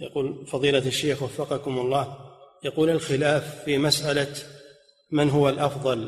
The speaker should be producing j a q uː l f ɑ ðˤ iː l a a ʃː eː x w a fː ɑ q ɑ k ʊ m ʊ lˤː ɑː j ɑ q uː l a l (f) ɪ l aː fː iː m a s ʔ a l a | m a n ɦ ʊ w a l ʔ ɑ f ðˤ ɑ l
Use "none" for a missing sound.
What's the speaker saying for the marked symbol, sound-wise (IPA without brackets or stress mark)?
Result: x